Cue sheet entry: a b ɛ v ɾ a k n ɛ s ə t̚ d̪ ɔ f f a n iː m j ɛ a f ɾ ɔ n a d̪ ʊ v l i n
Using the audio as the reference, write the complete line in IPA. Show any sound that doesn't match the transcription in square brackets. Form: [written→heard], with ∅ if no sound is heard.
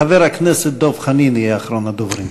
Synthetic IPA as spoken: a [b→v] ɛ [v→∅] ɾ a k n ɛ s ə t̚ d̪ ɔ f [f→χ] a n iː [m→n] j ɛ a [f→χ] ɾ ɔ n a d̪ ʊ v [l→ɾ] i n